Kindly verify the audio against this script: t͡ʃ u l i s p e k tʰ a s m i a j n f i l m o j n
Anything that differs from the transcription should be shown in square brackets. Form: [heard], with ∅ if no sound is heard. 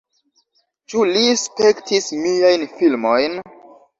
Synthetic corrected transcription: t͡ʃ u l i s p e k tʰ [i] s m i a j n f i l m o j n